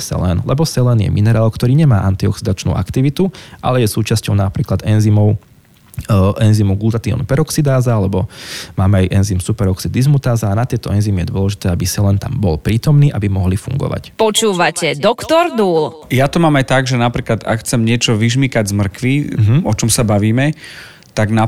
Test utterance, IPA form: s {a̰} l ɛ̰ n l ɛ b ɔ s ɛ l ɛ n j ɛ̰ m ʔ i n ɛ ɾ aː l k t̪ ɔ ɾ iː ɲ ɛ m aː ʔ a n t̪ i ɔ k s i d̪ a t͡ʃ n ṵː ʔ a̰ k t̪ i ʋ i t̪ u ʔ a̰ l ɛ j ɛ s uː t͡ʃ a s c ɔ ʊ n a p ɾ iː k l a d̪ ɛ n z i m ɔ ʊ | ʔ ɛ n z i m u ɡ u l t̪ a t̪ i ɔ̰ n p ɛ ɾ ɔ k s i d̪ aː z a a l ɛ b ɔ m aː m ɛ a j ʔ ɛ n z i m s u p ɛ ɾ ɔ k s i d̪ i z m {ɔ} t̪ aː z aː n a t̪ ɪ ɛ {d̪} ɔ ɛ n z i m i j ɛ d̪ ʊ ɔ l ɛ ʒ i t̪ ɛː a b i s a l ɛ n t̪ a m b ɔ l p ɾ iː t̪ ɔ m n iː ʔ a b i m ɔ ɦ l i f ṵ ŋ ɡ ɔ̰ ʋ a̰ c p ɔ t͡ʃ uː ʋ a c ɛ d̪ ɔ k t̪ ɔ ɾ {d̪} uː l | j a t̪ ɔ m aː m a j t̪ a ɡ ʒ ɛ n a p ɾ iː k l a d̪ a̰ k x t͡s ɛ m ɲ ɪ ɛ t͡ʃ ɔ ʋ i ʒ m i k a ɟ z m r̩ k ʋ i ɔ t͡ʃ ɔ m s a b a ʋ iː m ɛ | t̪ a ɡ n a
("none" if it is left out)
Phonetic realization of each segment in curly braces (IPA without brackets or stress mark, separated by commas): ɛ̰, u, t̪, d̪